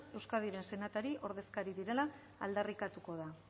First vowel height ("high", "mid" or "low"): mid